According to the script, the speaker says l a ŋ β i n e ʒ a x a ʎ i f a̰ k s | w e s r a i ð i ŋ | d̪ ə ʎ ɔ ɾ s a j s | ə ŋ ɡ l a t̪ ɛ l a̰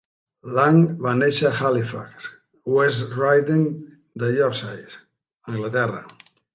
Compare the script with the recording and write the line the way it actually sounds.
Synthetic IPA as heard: l a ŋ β a n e ʃ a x a l i f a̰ k s | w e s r a j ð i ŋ | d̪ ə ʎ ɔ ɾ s a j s | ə ŋ ɡ l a t̪ ɛ r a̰